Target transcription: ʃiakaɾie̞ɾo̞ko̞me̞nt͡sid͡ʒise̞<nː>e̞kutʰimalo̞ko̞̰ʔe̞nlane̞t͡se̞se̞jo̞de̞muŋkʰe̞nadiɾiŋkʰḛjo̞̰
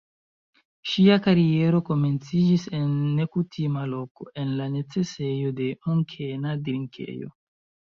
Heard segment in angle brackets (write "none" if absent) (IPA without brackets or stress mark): nː